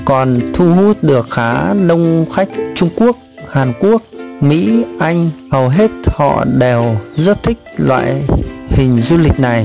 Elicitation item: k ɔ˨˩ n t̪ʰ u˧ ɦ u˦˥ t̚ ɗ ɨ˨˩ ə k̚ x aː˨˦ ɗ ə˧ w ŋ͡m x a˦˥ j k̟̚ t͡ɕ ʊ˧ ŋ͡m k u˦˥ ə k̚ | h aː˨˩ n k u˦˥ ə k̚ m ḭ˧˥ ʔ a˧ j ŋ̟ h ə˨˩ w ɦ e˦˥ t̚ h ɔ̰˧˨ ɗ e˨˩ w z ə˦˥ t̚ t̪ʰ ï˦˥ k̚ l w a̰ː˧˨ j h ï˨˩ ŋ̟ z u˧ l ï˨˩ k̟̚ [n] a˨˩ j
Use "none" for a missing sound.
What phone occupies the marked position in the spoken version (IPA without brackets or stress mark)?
n